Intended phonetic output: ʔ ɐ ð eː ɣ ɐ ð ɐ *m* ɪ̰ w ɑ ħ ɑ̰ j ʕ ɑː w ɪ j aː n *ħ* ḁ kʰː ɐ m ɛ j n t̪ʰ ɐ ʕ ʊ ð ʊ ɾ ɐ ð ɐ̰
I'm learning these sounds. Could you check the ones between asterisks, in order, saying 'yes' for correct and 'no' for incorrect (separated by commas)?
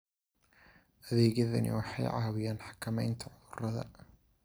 no, yes